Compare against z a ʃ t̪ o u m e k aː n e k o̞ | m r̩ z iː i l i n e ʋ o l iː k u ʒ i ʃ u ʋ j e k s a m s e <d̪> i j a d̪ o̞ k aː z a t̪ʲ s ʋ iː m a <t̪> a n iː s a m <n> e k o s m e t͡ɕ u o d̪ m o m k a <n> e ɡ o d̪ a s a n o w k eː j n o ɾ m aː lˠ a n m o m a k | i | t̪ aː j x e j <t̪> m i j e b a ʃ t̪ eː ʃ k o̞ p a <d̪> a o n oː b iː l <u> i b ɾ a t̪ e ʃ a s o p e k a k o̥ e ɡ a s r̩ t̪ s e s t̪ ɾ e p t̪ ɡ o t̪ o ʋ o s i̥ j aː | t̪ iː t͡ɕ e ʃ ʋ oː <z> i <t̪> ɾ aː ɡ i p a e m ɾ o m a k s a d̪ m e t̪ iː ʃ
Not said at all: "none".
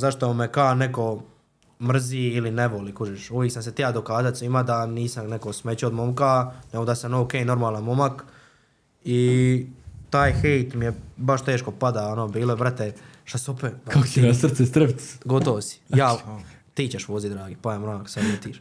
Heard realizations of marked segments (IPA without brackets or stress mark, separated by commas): t̪, d̪, n, n, t̪, d̪, o, z, d̪